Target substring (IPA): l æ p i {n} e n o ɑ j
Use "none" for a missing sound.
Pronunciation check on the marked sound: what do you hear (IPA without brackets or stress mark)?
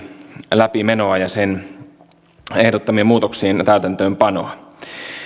m